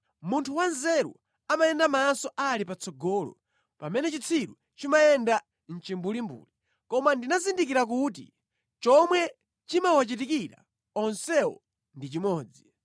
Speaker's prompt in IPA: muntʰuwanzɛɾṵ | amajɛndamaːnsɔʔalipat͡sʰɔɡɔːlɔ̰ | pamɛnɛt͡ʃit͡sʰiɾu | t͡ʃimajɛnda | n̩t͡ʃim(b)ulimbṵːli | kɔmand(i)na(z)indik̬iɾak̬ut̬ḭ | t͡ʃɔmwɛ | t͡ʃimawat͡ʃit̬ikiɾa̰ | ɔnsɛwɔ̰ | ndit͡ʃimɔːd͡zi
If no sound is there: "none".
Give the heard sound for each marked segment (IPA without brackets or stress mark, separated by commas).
b, i, z